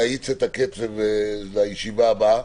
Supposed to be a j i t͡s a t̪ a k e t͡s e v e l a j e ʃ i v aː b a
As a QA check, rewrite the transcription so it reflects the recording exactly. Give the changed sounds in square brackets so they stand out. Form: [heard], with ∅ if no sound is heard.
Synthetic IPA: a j i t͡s [e] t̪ a k e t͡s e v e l a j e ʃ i v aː b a